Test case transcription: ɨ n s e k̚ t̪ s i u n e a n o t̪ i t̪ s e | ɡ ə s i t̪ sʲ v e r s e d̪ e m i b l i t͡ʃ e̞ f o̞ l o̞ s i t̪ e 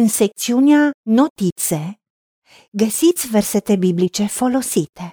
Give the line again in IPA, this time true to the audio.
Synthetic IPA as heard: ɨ n s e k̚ t̪ s i u n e a n o t̪ i t̪ s e | ɡ ə s i t̪ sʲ v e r s e t̪ e b i b l i t͡ʃ e̞ f o̞ l o̞ s i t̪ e